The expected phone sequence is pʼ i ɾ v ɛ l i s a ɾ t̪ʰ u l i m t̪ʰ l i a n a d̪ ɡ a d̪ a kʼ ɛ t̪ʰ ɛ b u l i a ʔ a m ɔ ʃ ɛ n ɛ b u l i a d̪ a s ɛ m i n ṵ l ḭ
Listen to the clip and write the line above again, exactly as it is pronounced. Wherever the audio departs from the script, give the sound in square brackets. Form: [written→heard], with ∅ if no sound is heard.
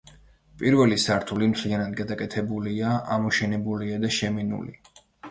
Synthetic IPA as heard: pʼ i ɾ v ɛ l i s a ɾ t̪ʰ u l i m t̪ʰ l i a n a d̪ ɡ a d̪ a kʼ ɛ t̪ʰ ɛ b u l i a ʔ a m ɔ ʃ ɛ n ɛ b u l i a d̪ a [s→ʃ] ɛ m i n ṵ l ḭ

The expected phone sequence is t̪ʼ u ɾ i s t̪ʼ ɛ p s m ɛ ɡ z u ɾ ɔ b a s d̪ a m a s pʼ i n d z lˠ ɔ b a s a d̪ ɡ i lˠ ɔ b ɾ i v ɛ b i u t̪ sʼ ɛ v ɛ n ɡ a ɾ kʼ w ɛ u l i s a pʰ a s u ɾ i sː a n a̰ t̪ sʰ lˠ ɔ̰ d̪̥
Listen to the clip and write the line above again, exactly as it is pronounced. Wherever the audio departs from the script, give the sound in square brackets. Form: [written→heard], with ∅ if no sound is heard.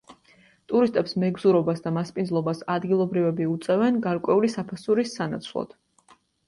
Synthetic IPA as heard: t̪ʼ u ɾ i s t̪ʼ ɛ p s m ɛ ɡ z u ɾ ɔ b a s d̪ a m a s pʼ i n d z lˠ ɔ b a s a d̪ ɡ i lˠ ɔ b ɾ i v ɛ b i u t̪ sʼ ɛ v ɛ n ɡ a ɾ kʼ w ɛ u l i s a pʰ a s u ɾ i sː a n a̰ t̪ sʰ lˠ ɔ̰ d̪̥

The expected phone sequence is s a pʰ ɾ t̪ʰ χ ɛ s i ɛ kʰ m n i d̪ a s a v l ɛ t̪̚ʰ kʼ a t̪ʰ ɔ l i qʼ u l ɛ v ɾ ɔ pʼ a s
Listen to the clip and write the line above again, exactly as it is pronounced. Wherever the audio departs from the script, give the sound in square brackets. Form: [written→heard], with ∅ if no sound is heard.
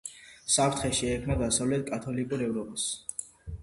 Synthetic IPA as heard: s a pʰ ɾ t̪ʰ χ ɛ [s→ʃ] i ɛ kʰ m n [i→a] d̪ a s a v l ɛ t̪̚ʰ kʼ a t̪ʰ ɔ l i [qʼ→kʼ] u [l→ɾ] ɛ v ɾ ɔ pʼ a s

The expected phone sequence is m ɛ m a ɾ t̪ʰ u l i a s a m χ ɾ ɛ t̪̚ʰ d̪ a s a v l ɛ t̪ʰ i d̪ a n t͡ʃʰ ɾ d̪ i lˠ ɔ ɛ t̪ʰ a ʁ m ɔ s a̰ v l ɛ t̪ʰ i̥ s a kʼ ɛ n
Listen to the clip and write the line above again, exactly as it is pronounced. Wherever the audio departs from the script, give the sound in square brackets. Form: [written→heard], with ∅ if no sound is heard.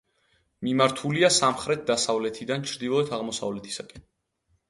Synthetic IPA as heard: m [ɛ→i] m a ɾ t̪ʰ u l i a s a m χ ɾ ɛ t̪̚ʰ d̪ a s a v l ɛ t̪ʰ i d̪ a n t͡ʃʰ ɾ d̪ i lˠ ɔ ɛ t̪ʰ a ʁ m ɔ s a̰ v l ɛ t̪ʰ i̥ s a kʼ ɛ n

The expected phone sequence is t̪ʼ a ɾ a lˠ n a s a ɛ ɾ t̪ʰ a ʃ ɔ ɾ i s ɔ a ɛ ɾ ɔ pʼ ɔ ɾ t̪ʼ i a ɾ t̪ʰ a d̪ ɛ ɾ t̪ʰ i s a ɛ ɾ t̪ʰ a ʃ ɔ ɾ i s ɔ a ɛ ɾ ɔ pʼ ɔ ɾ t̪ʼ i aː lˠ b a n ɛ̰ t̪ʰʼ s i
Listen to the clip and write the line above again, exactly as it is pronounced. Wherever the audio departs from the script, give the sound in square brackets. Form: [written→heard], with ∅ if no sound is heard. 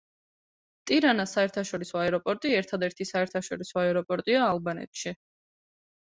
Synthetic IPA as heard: t̪ʼ [a→i] ɾ a [lˠ→∅] n a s a ɛ ɾ t̪ʰ a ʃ ɔ ɾ i s ɔ a ɛ ɾ ɔ pʼ ɔ ɾ t̪ʼ i [a→ɛ] ɾ t̪ʰ a d̪ ɛ ɾ t̪ʰ i s a ɛ ɾ t̪ʰ a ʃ ɔ ɾ i s ɔ a ɛ ɾ ɔ pʼ ɔ ɾ t̪ʼ i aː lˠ b a n ɛ̰ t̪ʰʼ [s→ʃ] i

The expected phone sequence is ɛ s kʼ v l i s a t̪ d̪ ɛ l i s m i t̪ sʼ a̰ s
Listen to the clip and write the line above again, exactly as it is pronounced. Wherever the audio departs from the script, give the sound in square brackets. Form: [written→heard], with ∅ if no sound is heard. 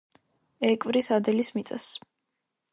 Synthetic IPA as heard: ɛ [s→∅] kʼ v [l→ɾ] i s a [t̪→∅] d̪ ɛ l i s m i t̪ sʼ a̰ s

